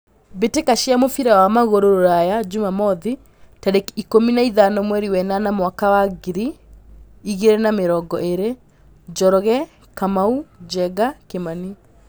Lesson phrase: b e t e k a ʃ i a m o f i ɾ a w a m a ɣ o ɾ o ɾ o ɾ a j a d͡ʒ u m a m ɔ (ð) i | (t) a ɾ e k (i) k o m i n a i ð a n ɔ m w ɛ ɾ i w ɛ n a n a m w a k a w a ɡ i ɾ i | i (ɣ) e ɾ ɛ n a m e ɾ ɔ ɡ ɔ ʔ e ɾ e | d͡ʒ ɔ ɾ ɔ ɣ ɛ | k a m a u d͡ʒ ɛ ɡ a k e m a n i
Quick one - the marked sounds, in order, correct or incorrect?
correct, correct, correct, correct

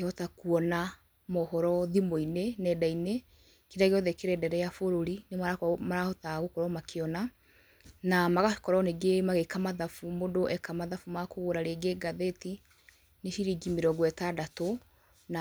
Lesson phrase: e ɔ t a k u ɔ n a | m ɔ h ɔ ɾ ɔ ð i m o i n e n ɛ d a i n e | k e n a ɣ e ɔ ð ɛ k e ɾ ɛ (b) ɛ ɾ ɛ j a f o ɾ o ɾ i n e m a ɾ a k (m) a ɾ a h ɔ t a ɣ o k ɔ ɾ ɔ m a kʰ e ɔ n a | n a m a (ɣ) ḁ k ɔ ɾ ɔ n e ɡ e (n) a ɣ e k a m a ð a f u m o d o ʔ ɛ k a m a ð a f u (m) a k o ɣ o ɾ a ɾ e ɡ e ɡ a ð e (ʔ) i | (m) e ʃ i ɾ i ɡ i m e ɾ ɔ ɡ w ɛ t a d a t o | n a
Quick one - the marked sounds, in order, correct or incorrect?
incorrect: d, correct, correct, incorrect: m, correct, incorrect: t, incorrect: n

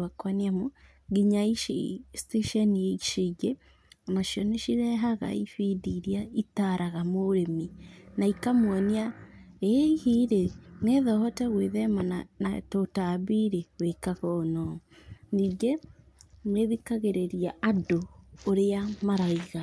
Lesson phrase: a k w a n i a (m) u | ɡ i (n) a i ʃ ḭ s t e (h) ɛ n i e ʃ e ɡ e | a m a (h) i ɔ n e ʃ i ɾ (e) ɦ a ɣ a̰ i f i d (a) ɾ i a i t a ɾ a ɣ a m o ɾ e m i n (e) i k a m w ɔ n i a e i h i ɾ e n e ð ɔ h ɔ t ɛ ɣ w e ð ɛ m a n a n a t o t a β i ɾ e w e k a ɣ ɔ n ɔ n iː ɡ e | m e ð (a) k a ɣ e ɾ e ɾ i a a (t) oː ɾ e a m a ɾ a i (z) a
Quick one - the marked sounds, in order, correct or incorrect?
correct, incorrect: ɲ, incorrect: ʃ, incorrect: ʃ, incorrect: ɛ, incorrect: i, incorrect: a, incorrect: i, incorrect: d, incorrect: ɣ

